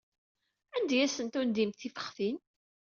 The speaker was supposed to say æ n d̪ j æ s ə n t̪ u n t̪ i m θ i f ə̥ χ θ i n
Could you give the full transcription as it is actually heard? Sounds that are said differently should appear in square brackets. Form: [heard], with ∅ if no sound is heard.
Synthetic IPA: æ n d̪ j æ s ə n t̪ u n [d̪] i m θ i f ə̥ χ θ i n